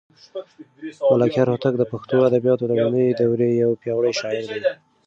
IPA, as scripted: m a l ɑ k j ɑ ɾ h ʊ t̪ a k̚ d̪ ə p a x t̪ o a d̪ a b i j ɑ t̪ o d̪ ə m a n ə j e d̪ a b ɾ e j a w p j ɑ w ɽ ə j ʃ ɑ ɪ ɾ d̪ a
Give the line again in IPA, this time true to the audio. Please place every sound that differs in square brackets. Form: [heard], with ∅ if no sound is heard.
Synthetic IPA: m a l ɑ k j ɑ ɾ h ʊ t̪ a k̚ d̪ ə p a x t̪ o a d̪ a b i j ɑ t̪ o d̪ ə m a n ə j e d̪ a [w] ɾ e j a w p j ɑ w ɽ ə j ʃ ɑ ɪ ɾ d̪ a